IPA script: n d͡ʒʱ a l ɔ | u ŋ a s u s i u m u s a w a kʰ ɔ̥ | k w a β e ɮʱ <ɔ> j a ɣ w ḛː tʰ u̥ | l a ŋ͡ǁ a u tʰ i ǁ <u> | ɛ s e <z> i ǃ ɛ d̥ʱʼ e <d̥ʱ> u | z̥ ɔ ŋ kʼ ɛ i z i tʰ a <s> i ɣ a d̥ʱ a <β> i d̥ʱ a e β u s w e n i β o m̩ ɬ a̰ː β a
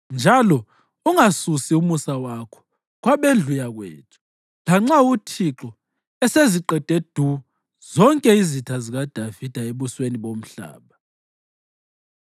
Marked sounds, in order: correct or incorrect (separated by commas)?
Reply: incorrect, incorrect, correct, correct, incorrect, incorrect